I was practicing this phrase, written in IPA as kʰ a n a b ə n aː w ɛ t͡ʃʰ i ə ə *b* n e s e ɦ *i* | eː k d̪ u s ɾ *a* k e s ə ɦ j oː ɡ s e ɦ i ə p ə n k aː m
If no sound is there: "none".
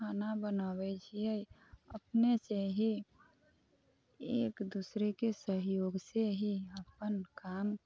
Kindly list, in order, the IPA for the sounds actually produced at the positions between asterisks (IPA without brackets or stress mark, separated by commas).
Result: p, i, e